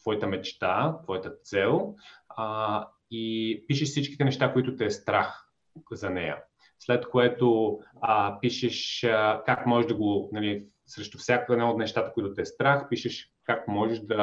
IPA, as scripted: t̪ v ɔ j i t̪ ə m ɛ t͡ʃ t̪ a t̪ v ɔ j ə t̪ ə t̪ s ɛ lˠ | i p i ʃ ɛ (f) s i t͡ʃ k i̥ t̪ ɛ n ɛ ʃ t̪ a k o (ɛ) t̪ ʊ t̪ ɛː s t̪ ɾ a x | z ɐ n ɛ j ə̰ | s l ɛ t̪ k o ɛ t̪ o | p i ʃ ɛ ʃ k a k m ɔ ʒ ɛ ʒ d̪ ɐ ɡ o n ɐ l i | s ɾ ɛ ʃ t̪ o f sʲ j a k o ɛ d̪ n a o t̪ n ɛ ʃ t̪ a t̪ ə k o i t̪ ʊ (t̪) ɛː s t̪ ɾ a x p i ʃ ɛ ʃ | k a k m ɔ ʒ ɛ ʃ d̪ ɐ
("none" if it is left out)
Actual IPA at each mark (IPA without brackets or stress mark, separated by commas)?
ʃ, i, t̪